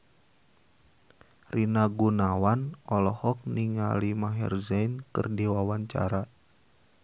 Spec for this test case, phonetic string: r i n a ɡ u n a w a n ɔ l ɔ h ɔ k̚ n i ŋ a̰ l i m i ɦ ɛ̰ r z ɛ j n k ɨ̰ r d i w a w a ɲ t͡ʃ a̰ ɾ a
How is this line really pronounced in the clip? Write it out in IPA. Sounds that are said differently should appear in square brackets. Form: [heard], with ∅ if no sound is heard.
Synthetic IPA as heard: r i n a ɡ u n a w a n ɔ l ɔ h ɔ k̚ n i ŋ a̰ l i m [a] ɦ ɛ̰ r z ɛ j n k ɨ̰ r d i w a w a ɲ t͡ʃ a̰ ɾ a